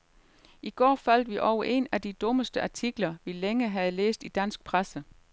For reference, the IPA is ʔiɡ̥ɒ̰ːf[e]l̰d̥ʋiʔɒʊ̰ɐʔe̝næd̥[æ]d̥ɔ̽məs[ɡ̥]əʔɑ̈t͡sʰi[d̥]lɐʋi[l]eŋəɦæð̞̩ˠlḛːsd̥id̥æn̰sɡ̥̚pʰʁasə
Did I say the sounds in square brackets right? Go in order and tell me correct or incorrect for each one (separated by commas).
incorrect, incorrect, incorrect, incorrect, correct